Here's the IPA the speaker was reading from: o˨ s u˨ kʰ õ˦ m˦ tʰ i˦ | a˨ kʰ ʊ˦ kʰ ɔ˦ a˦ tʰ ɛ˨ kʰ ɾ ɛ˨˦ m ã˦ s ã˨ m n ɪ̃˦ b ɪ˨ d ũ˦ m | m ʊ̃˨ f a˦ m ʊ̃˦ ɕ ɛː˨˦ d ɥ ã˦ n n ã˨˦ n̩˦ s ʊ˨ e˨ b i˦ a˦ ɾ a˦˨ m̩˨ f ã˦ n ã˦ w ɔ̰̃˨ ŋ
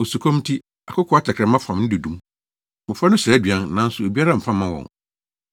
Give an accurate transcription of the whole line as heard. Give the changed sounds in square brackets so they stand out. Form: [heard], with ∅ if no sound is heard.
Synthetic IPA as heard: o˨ s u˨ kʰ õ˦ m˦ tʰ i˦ | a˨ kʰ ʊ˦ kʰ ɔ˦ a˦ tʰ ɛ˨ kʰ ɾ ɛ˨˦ m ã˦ [f] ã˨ m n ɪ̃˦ [d] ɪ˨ d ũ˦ m | m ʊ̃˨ f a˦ [n] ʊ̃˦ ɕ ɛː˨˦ d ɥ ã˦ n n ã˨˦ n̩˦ s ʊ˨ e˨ b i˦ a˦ ɾ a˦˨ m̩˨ f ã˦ [m] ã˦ w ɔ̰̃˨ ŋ